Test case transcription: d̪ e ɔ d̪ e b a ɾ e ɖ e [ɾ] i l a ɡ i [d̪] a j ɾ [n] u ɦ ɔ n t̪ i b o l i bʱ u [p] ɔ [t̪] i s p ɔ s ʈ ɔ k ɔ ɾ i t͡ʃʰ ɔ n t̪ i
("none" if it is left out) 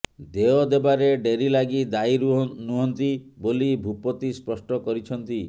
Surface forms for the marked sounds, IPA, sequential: ɾ, d̪, n, p, t̪

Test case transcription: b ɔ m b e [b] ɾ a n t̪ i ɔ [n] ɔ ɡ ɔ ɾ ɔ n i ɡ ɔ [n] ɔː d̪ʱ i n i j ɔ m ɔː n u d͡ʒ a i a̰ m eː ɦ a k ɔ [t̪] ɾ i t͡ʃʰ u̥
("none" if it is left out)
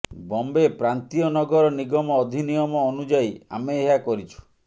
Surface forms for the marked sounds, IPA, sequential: p, n, m, none

